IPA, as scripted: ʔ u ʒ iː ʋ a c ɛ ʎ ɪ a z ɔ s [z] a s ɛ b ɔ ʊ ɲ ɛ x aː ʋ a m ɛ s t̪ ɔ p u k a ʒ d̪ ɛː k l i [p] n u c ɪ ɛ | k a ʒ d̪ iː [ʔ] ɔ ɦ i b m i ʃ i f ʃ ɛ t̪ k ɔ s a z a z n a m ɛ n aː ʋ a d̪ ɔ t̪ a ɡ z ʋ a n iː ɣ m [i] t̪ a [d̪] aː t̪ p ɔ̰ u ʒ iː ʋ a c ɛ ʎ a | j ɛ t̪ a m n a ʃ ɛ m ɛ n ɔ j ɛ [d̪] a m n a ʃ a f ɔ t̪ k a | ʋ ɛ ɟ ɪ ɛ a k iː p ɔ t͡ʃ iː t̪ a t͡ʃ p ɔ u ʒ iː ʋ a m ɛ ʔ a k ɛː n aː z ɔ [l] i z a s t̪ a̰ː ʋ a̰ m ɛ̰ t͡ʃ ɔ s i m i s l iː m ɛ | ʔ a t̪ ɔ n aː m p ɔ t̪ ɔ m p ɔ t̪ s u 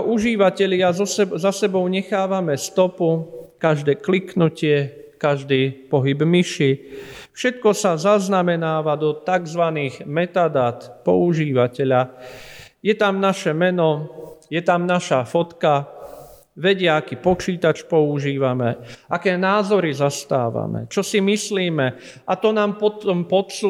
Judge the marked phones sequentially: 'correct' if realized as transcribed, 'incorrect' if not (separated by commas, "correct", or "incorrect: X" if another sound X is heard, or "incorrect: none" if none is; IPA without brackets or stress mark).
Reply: correct, incorrect: k, incorrect: p, incorrect: ɛ, correct, incorrect: t̪, incorrect: ɾ